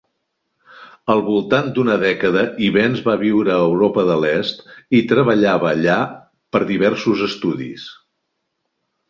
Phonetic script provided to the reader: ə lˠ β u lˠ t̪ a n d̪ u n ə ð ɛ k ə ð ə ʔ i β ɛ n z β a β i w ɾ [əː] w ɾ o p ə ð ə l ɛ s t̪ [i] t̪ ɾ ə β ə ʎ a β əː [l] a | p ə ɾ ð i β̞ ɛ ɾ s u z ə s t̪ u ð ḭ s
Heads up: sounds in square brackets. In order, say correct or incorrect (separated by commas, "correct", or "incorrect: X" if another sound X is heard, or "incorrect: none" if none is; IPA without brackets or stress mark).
correct, correct, incorrect: ʎ